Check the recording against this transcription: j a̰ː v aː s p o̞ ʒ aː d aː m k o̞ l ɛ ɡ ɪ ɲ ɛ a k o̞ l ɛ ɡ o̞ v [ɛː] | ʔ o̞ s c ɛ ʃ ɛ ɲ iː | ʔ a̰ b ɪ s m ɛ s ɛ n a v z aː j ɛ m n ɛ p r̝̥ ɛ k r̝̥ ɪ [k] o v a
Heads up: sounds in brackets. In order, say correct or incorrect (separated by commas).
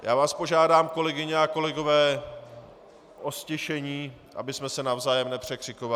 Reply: correct, correct